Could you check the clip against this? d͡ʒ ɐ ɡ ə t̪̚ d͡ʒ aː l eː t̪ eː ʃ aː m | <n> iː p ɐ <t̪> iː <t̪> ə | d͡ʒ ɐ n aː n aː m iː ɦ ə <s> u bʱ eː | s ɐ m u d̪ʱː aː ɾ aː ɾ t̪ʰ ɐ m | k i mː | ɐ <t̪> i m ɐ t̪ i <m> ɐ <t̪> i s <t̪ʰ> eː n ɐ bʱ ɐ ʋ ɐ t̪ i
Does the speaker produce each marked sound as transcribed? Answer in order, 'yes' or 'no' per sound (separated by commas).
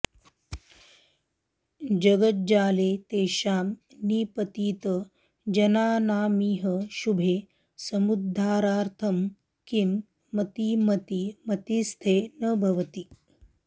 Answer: yes, yes, yes, no, yes, yes, yes, yes